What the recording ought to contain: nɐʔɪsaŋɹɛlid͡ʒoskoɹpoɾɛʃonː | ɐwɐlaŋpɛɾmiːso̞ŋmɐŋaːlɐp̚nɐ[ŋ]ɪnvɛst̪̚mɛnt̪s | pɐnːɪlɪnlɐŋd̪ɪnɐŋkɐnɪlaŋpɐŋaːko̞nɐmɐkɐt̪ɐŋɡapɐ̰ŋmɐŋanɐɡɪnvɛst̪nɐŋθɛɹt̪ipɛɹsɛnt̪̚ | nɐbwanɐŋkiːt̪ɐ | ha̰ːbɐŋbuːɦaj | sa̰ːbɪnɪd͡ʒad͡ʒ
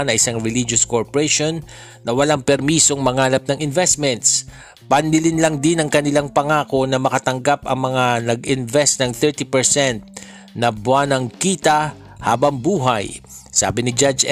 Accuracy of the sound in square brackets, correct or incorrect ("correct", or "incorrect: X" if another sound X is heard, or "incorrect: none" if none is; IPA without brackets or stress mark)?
correct